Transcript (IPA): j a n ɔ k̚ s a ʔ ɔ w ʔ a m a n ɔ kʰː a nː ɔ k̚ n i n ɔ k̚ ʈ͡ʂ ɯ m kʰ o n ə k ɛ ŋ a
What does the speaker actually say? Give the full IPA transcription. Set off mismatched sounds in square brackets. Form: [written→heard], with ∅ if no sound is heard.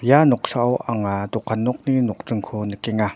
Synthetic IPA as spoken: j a n ɔ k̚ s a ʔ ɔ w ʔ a [m→ŋ] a [n→d] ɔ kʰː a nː ɔ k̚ n i n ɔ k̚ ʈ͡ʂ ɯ [m→ŋ] kʰ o n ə k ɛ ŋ a

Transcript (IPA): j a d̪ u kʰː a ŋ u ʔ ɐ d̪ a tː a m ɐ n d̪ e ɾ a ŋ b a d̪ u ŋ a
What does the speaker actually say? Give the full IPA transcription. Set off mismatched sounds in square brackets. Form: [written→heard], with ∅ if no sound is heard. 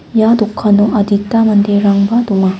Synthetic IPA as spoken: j a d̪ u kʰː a [ŋ→n] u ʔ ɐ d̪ [a→i] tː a m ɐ n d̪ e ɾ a ŋ b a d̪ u ŋ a

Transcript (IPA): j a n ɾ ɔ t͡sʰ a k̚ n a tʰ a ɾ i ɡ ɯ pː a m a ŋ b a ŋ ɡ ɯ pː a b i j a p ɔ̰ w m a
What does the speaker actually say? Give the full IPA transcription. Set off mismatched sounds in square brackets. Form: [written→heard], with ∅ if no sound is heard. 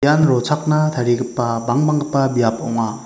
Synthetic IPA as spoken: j a n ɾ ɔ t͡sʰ a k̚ n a tʰ a ɾ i ɡ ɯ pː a [m→b] a ŋ b a ŋ ɡ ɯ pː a b i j a p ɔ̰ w [m→ŋ] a

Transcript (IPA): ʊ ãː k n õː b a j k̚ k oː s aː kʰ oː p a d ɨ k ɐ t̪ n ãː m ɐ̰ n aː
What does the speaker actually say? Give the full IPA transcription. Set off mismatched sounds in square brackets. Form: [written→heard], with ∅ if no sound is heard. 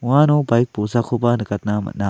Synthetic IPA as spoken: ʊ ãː [k→∅] n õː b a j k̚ [k→p] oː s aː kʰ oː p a [d→n] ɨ k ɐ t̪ n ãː m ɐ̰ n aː

